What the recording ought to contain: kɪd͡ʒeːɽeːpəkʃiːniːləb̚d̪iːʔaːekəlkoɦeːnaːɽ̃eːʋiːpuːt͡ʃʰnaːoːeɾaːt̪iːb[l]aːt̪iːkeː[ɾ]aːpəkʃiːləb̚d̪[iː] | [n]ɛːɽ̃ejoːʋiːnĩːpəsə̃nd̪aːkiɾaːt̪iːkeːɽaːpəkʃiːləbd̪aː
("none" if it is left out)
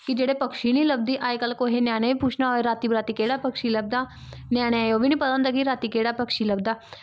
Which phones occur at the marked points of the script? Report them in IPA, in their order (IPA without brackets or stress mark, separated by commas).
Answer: ɾ, ɽ, aː, n